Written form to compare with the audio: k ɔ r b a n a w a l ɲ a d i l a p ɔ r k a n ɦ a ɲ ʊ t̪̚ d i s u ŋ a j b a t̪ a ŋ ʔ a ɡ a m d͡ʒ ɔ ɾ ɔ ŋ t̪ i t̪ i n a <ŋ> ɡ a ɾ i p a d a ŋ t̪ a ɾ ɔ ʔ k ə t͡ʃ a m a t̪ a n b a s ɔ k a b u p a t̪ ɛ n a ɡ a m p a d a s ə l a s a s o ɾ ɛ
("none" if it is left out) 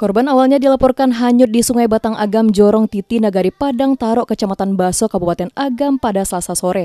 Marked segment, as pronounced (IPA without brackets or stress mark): none